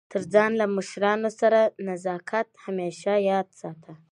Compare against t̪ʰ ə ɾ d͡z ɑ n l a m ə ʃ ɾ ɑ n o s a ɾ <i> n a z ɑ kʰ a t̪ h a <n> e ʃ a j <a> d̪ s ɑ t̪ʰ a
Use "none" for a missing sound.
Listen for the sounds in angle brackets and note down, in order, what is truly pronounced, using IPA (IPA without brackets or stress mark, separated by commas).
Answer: a, m, ɑ